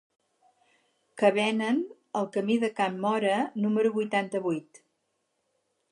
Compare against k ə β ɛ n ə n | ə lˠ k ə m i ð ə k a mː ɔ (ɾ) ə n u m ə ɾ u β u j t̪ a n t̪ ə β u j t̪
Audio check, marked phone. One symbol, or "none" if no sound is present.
ɾ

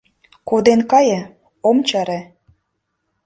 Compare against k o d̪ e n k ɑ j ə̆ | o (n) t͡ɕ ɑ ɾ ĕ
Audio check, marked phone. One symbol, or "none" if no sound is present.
m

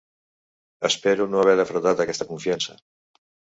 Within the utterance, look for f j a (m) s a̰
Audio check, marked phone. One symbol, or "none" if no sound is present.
n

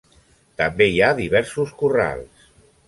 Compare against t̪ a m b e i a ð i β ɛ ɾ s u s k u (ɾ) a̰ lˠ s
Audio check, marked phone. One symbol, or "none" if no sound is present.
r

